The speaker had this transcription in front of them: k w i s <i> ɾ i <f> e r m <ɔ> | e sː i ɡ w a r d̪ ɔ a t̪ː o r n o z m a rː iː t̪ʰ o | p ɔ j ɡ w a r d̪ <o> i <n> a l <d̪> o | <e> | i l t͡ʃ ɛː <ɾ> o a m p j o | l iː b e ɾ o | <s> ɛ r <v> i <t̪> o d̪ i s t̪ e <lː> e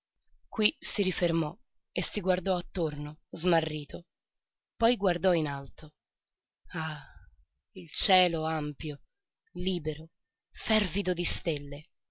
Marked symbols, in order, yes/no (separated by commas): yes, yes, yes, no, yes, no, no, no, no, yes, no, yes